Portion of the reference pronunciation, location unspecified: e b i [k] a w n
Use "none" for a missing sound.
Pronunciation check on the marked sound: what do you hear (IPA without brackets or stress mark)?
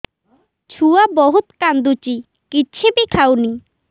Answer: kʰ